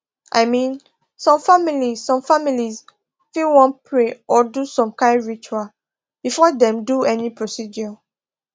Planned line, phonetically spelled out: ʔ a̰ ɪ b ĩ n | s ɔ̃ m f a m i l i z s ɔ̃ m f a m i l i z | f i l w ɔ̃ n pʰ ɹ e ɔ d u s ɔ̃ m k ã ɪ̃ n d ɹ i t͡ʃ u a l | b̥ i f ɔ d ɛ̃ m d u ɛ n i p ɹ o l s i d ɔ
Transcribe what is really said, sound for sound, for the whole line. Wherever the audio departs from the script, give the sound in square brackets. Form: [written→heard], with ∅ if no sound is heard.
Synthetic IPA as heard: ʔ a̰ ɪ [b→m] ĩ n | s ɔ̃ m f a m i l i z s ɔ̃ m f a m i l i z | f i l w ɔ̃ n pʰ ɹ e ɔ d u s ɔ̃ m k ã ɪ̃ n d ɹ i t͡ʃ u a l | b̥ i f ɔ d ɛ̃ m d u ɛ n i p ɹ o [l→∅] s i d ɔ

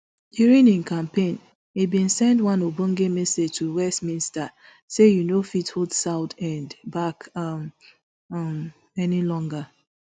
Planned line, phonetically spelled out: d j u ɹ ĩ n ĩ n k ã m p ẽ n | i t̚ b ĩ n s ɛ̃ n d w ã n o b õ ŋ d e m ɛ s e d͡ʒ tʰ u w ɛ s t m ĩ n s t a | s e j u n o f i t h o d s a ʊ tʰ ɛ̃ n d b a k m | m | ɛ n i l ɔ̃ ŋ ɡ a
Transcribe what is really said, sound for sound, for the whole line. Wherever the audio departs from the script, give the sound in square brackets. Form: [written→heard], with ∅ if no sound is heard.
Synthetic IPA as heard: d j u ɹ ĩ n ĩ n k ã m p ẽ n | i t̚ b ĩ n s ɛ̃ n d w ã n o b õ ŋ [d→ɡ] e m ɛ s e d͡ʒ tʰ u w ɛ s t m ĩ n s t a | s e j u n o f i t h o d s a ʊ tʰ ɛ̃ n d b a k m | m | ɛ n i l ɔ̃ ŋ ɡ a

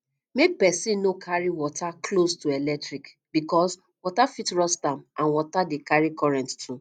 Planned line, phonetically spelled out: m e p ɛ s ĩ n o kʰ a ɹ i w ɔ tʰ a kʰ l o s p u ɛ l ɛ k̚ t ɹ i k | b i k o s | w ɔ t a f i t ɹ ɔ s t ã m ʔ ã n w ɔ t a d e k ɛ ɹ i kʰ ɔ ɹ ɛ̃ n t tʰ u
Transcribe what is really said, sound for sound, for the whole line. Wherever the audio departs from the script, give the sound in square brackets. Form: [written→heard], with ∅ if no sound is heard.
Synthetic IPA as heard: m e p ɛ s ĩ n o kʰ a ɹ i w ɔ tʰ a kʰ l o s [p→t] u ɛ l ɛ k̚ t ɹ i k | b i k [o→ɔ] s | w ɔ t a f i t ɹ ɔ s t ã m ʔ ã n w ɔ t a d e k [ɛ→a] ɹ i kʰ ɔ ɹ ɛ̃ n t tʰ u

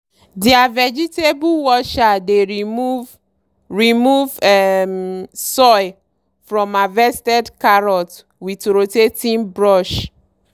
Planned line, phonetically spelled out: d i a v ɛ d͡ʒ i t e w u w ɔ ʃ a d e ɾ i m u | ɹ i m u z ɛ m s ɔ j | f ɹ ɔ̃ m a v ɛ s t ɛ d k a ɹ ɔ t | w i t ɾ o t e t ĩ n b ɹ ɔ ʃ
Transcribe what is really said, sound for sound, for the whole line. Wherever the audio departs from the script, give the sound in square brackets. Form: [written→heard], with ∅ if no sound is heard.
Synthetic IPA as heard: d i a v ɛ d͡ʒ i t e [w→b] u w ɔ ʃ a d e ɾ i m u | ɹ i m u [z→v] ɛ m s ɔ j | f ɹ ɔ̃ m a v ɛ s t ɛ d k a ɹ ɔ t | w i t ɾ o t e t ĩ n b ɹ ɔ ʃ

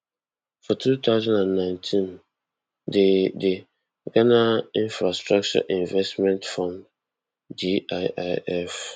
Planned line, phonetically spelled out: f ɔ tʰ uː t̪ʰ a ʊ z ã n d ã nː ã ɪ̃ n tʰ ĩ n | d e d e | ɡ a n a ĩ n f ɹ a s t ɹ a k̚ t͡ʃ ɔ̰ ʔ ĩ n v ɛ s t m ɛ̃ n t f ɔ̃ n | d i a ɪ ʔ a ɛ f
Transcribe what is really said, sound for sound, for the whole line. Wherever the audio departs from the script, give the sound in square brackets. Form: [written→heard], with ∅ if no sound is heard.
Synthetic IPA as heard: f ɔ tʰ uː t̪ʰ a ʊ z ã n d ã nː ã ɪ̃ n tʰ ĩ n | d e d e | ɡ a n a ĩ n f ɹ a s t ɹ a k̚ t͡ʃ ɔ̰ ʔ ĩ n v ɛ s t m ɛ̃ n t f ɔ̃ n | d i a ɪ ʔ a ɛ f

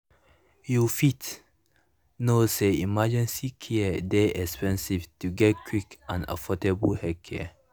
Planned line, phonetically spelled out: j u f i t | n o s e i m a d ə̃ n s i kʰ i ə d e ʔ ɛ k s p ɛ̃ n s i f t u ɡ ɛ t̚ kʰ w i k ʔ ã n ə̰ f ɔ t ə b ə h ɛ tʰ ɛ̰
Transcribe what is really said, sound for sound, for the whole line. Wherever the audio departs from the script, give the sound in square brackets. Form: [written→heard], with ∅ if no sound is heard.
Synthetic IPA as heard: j u f i t | n o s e i m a [d→d͡ʒ] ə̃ n s i kʰ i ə d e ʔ ɛ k s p ɛ̃ n s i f t u ɡ ɛ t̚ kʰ w i k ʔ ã n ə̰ f ɔ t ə b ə h ɛ [tʰ→kʰ] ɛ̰

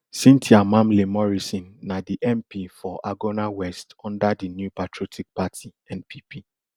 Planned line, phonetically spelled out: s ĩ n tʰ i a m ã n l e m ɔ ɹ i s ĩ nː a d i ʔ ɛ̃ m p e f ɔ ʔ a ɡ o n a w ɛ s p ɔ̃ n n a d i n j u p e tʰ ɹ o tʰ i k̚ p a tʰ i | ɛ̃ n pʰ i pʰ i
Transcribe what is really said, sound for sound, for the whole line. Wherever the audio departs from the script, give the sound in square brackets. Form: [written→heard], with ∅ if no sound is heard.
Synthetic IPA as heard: s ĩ n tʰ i a m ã [n→m] l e m ɔ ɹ i s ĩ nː a d i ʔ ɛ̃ m p [e→i] f ɔ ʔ a ɡ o n a w ɛ s [p→t] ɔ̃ n [n→d] a d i n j u p [e→a] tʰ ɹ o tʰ i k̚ p a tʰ i | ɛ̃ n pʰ i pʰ i

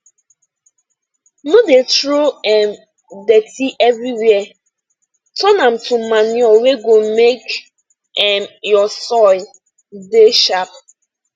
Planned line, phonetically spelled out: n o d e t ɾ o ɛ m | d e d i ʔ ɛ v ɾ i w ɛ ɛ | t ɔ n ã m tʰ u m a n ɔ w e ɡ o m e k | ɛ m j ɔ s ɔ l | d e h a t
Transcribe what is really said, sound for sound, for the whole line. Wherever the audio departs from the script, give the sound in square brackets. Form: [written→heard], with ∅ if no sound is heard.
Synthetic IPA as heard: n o d e t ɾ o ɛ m | d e [d→t] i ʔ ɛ v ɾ i w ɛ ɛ | t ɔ n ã m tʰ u m a n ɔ w e ɡ o m e k | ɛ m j ɔ s ɔ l | d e [h→ʃ] a [t→p]

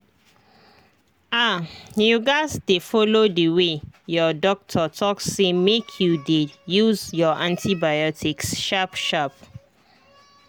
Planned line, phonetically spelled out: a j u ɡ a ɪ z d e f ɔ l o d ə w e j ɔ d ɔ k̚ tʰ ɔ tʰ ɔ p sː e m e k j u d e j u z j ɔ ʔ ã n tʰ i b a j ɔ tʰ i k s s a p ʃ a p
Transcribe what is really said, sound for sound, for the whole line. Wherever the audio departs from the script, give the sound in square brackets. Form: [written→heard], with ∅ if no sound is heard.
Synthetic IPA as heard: a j u ɡ a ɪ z d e f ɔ l o d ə w e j ɔ d ɔ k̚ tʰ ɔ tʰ ɔ [p→k] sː e m e [k→kʰ] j u d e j u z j ɔ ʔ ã n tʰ i b a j ɔ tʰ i k s [s→ʃ] a p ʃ a p

